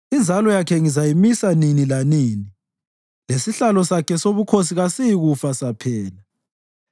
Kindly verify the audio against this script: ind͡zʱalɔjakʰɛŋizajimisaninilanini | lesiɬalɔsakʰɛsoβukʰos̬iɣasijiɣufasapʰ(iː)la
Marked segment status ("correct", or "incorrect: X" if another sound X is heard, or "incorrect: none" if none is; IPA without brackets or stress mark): incorrect: ɛː